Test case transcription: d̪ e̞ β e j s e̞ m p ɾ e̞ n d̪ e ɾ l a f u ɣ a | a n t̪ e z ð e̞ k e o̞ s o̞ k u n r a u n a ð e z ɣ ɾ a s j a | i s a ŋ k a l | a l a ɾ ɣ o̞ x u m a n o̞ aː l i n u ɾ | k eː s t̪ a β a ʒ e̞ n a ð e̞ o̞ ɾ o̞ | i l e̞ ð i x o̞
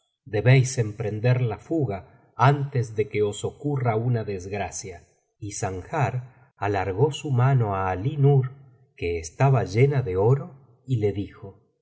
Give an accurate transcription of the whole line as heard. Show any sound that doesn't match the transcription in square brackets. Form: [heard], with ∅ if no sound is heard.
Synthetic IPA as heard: d̪ e̞ β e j s e̞ m p ɾ e̞ n d̪ e ɾ l a f u ɣ a | a n t̪ e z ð e̞ k e o̞ s o̞ k u [∅] r a u n a ð e z ɣ ɾ a s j a | i s a ŋ [x] a [ɾ] | a l a ɾ ɣ o̞ [s] u m a n o̞ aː l i n u ɾ | k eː s t̪ a β a ʒ e̞ n a ð e̞ o̞ ɾ o̞ | i l e̞ ð i x o̞

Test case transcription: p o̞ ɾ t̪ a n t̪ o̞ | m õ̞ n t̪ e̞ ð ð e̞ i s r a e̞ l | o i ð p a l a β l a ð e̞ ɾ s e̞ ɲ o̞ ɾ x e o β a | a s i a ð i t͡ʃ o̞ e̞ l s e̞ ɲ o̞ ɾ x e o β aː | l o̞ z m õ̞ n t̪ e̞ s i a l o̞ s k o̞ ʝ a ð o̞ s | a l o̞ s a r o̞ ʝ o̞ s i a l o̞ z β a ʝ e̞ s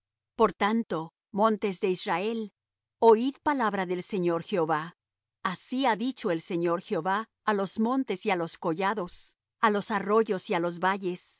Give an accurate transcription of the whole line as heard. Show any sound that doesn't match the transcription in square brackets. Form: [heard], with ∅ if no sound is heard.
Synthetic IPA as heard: p o̞ ɾ t̪ a n t̪ o̞ | m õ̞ n t̪ e̞ [z] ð e̞ i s r a e̞ l | o i ð p a l a β [ɾ] a ð e̞ [l] s e̞ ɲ o̞ ɾ x e o β a | a s i a ð i t͡ʃ o̞ e̞ l s e̞ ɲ o̞ ɾ x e o β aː | l o̞ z m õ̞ n t̪ e̞ s i a l o̞ s k o̞ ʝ a ð o̞ s | a l o̞ s a r o̞ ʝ o̞ s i a l o̞ z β a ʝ e̞ s

